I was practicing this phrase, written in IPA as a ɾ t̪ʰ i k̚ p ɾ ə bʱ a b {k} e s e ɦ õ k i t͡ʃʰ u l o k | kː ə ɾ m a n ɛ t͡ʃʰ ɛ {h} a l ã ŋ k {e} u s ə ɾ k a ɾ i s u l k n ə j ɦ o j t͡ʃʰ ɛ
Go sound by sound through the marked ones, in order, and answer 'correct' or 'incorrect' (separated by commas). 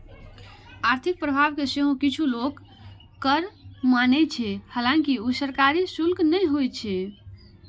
correct, correct, incorrect